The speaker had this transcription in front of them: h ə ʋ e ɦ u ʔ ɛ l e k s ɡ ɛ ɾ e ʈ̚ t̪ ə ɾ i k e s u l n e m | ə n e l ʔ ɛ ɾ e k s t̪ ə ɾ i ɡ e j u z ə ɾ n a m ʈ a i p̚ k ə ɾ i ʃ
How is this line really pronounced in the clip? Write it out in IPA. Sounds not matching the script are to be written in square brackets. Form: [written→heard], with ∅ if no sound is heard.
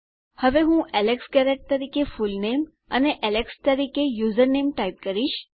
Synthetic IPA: h ə ʋ e ɦ [u→ũ] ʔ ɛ l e k s ɡ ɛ ɾ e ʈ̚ t̪ ə ɾ i k e [s→f] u l n e m | ə n e [l→∅] ʔ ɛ [ɾ→l] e k s t̪ ə ɾ i [ɡ→k] e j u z ə ɾ n [a→e] m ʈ a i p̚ k ə ɾ i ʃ